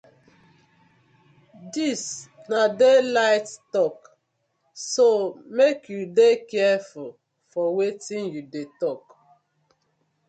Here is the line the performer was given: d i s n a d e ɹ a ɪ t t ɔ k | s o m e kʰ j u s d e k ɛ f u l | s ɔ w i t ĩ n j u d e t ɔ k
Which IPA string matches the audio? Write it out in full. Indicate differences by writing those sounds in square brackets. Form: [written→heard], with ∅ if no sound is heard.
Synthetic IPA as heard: d i s n a d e [ɹ→l] a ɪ t t ɔ k | s o m e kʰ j u [s→∅] d e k ɛ f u l | [s→f] ɔ w [i→e] t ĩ n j u d e t ɔ k